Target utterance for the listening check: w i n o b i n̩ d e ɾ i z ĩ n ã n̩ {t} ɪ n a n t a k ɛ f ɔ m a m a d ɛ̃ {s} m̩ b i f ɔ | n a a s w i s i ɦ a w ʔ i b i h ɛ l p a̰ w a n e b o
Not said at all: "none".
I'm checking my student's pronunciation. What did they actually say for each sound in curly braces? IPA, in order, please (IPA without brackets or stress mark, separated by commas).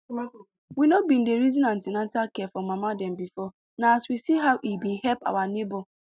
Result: t, none